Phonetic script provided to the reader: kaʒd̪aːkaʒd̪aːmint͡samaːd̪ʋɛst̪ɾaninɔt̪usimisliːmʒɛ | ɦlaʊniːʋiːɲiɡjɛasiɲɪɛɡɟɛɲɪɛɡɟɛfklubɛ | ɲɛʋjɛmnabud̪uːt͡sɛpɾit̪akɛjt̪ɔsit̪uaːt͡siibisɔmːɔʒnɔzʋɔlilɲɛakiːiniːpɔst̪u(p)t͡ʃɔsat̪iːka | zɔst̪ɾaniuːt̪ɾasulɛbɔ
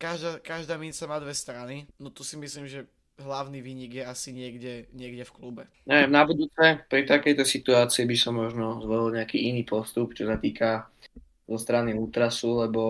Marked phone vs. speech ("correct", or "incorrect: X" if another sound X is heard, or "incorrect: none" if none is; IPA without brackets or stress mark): correct